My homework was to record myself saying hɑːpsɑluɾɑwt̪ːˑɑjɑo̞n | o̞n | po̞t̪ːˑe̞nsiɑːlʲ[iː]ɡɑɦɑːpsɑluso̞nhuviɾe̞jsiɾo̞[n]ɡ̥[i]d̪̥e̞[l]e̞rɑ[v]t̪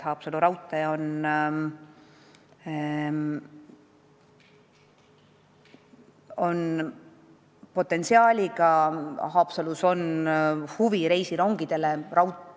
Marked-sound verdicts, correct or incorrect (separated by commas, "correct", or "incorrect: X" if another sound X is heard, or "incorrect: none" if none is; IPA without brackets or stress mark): incorrect: i, incorrect: ŋ, correct, correct, incorrect: w